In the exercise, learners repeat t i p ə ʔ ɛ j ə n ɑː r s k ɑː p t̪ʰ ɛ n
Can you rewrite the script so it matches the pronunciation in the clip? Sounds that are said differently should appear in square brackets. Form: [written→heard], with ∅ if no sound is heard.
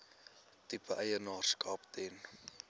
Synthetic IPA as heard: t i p ə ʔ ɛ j ə n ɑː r s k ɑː p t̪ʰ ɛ n